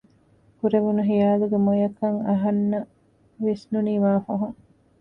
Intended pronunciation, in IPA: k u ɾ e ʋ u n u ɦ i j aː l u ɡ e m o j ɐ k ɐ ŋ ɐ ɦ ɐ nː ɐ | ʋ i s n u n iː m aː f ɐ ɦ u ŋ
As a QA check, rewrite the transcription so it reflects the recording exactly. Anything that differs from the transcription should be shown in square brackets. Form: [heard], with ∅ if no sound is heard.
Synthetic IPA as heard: k u ɾ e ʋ u n u ɦ i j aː l u ɡ e m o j ɐ k ɐ ŋ ɐ ɦ ɐ nː ɐ | ʋ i s n u n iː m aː f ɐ ɦ u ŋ